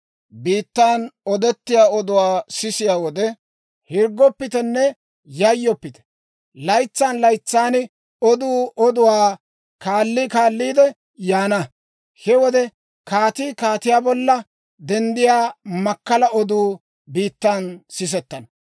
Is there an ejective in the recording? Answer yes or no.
no